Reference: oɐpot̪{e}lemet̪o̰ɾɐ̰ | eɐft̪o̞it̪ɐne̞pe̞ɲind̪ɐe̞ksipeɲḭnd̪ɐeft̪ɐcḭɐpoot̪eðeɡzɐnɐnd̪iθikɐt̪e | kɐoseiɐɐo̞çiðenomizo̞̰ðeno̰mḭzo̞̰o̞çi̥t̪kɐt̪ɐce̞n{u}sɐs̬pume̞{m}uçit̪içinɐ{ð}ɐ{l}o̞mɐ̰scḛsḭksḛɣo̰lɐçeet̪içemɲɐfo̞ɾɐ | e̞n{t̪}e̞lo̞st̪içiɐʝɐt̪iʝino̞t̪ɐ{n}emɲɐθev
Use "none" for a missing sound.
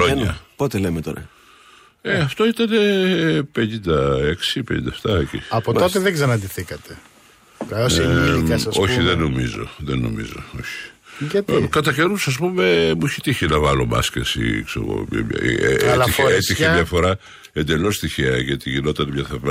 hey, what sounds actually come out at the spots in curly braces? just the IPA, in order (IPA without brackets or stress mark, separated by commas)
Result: e, u, m, v, l, d̪, n